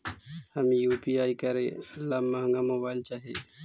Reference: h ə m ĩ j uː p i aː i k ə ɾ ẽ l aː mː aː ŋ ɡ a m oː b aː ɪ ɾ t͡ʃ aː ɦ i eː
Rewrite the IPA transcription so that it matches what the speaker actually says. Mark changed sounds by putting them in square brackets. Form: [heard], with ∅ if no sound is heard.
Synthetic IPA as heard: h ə m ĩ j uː p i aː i k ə ɾ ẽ l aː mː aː ŋ ɡ a m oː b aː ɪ [l] t͡ʃ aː ɦ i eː

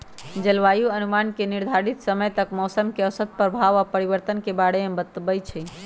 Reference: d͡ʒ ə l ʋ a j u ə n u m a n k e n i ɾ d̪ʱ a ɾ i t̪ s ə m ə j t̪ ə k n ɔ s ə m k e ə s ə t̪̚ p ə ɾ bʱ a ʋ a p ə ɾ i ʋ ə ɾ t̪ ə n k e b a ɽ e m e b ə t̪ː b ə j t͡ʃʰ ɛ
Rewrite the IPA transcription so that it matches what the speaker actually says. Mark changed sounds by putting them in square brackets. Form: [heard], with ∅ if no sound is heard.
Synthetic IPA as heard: d͡ʒ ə l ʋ a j u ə n u m a n k e n i ɾ d̪ʱ a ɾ i t̪ s ə m ə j t̪ ə k [m] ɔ s ə m k e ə s ə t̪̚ p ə ɾ bʱ a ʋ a p ə ɾ i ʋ ə ɾ t̪ ə n k e b a ɽ e m e b ə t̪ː b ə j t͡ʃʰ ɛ

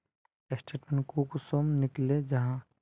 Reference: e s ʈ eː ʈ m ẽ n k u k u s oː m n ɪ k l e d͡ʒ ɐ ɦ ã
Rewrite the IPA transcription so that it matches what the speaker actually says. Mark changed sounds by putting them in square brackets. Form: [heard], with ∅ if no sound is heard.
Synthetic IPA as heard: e s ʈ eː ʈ m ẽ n k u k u s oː m n ɪ k l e d͡ʒ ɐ ɦ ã

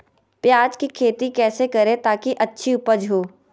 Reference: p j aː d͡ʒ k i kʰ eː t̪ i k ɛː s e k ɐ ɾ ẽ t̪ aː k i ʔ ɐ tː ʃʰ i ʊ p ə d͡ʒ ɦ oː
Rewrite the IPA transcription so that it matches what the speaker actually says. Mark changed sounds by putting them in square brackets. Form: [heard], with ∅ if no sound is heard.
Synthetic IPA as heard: p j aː d͡ʒ k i kʰ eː t̪ i k ɛː s e k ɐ ɾ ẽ t̪ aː k i ʔ ɐ tː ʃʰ i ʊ p ə d͡ʒ ɦ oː

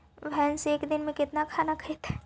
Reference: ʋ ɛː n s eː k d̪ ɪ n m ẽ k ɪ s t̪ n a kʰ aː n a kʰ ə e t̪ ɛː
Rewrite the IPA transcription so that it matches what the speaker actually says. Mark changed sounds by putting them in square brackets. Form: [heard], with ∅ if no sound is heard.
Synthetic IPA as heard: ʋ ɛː n s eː k d̪ ɪ n m ẽ k ɪ [∅] t̪ n a kʰ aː n a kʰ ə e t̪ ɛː

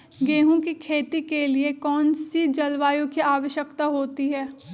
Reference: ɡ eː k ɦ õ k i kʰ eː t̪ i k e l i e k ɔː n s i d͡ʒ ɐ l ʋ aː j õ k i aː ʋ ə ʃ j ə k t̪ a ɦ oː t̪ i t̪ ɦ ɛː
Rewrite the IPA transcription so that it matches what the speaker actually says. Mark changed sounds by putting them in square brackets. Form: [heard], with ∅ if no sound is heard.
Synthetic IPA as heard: ɡ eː [∅] ɦ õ k i kʰ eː t̪ i k e l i e k ɔː n s i d͡ʒ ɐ l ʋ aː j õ k i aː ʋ ə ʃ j ə k t̪ a ɦ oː t̪ i [∅] ɦ ɛː

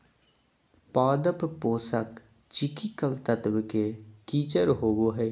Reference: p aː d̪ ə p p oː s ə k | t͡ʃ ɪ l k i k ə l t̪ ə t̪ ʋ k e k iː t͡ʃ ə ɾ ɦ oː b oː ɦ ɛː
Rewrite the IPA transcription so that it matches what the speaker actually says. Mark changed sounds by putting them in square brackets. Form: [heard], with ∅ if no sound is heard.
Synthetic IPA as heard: p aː d̪ ə p p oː s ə k | t͡ʃ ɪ [∅] k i k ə l t̪ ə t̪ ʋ k e k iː t͡ʃ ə ɾ ɦ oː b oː ɦ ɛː

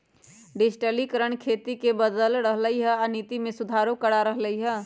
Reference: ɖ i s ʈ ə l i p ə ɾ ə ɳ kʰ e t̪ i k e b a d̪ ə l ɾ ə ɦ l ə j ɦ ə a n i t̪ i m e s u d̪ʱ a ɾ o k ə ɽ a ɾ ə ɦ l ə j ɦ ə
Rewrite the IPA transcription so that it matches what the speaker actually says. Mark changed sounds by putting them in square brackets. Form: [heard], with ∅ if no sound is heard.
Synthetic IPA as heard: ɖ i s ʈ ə l i [k] ə ɾ ə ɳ kʰ e t̪ i k e b [ə] d̪ ə l ɾ ə ɦ l ə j ɦ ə a n i t̪ i m e s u d̪ʱ a ɾ o k ə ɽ a ɾ ə ɦ l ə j ɦ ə

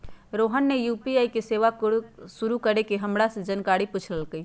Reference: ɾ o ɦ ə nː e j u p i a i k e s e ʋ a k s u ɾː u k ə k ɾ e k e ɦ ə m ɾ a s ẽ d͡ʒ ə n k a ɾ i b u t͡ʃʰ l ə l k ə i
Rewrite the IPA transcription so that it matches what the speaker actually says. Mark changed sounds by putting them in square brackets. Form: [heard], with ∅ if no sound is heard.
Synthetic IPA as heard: ɾ o ɦ ə nː e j u p i a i k e s e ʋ a k s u [ɾ] u k ə [∅] ɾ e k e ɦ ə m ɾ a s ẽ d͡ʒ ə n k a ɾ i [p] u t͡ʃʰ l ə l k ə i

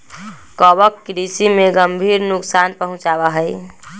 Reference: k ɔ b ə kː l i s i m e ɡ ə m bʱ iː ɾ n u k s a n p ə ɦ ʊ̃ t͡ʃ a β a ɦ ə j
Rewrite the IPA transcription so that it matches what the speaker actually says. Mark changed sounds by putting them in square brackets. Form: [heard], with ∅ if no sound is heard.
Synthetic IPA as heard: k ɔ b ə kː [ɾ] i s i m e ɡ ə m bʱ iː ɾ n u k s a n p ə ɦ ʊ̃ t͡ʃ a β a ɦ ə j

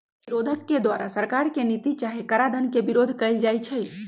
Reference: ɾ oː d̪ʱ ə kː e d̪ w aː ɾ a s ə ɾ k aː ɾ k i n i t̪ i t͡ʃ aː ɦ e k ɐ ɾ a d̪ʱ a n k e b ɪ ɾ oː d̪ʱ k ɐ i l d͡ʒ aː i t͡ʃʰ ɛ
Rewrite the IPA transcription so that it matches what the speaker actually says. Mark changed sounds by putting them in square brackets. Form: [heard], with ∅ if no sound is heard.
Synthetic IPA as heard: ɾ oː d̪ʱ ə kː e d̪ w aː ɾ a s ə ɾ k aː ɾ k [e] n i t̪ i t͡ʃ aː ɦ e k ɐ ɾ a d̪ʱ [ə] n k e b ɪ ɾ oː d̪ʱ k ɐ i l d͡ʒ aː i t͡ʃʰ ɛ

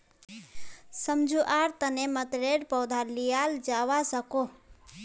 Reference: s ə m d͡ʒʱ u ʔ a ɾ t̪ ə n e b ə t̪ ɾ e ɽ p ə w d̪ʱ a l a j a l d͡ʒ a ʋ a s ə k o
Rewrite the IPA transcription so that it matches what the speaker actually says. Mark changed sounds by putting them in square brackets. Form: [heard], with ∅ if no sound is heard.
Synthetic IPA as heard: s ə m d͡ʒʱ u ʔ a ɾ t̪ ə n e [m] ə t̪ ɾ e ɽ p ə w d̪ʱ a l [i] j a l d͡ʒ a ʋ a s ə k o

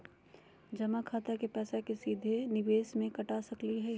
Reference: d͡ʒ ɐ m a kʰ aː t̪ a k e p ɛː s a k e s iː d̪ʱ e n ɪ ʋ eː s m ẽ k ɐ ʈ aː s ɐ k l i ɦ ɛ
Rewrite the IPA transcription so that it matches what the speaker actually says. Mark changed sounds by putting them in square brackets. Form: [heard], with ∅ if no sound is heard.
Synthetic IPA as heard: d͡ʒ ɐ m a kʰ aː t̪ a k e p ɛː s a k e s iː d̪ʱ e n ɪ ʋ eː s m ẽ k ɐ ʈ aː s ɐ k l i ɦ ɛ

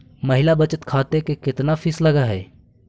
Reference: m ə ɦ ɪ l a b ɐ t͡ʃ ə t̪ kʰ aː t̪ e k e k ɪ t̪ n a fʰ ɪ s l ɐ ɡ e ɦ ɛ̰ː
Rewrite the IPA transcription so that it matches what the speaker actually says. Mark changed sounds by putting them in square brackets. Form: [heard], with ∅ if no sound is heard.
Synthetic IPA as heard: m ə ɦ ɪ l a b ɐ t͡ʃ ə t̪ kʰ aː t̪ e k e k ɪ t̪ n a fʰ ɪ s l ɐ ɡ [a] ɦ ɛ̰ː

